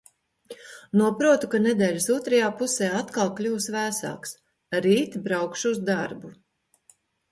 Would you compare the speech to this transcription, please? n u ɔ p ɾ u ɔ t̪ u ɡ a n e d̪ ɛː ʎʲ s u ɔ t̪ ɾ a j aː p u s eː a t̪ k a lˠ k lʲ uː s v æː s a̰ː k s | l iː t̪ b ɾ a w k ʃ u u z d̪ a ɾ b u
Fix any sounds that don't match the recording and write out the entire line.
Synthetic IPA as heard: n u ɔ p ɾ u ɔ t̪ u k a n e d̪ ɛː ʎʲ s u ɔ t̪ ɾ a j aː p u s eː a t̪ k a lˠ k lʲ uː s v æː s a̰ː k s | ɾ iː t̪ b ɾ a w k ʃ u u z d̪ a ɾ b u